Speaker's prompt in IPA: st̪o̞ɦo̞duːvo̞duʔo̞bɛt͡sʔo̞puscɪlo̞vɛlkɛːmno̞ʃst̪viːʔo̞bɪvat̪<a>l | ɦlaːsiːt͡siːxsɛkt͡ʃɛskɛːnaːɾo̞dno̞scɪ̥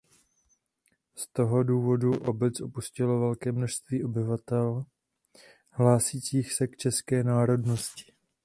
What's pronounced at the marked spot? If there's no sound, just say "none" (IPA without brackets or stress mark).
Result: ɛ